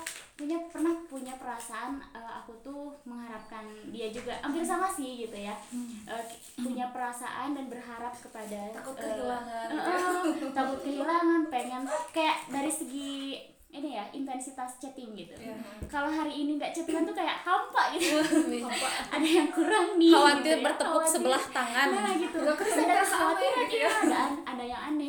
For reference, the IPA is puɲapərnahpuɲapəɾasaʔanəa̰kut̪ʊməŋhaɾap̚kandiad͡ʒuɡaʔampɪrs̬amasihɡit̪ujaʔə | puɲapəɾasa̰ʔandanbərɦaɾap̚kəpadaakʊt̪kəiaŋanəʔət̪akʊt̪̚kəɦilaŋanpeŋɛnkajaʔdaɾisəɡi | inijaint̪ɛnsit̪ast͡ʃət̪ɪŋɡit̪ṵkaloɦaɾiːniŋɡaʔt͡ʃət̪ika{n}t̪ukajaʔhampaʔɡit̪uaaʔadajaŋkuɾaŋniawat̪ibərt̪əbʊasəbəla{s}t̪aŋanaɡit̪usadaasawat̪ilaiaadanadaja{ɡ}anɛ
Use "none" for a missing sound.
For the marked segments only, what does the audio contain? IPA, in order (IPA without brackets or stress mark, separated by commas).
n, h, ŋ